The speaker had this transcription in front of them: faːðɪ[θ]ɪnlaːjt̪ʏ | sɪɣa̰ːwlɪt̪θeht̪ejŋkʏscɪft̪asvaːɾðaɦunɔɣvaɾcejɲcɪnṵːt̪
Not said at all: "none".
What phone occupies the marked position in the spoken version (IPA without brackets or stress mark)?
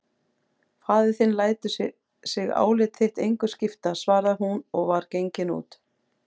θ